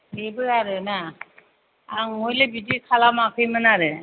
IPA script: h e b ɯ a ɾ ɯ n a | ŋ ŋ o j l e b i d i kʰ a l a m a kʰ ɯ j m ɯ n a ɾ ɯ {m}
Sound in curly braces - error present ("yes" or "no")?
yes